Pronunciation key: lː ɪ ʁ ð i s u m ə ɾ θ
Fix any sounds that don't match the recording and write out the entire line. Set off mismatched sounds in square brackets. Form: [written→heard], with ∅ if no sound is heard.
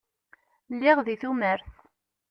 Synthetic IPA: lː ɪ ʁ ð i [s→θ] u m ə ɾ θ